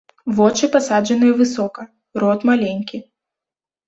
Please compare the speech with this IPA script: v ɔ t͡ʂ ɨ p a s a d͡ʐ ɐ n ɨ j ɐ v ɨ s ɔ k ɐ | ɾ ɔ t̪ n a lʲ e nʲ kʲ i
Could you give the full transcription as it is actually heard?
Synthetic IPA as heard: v ɔ t͡ʂ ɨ p a s a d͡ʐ ɐ n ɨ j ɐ v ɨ s ɔ k ɐ | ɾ ɔ t̪ m a lʲ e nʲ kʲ i

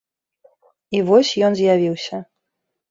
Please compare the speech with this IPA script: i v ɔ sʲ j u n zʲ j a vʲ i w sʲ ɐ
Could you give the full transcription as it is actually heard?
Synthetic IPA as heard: i v ɔ sʲ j ɔ n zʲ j a vʲ i w sʲ ɐ

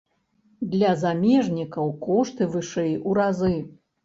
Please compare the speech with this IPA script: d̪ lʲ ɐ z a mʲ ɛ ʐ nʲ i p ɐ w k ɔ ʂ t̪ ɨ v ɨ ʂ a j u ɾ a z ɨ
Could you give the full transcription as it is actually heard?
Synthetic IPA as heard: d̪ lʲ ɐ z a mʲ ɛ ʐ nʲ i k ɐ w k ɔ ʂ t̪ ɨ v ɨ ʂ ɛ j u ɾ a z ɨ

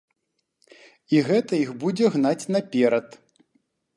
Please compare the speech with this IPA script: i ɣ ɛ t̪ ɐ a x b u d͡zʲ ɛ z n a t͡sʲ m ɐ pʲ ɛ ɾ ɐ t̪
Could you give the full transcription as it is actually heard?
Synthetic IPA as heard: i ɣ ɛ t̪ ɐ i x b u d͡zʲ ɛ ɣ n a t͡sʲ n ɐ pʲ ɛ ɾ ɐ t̪

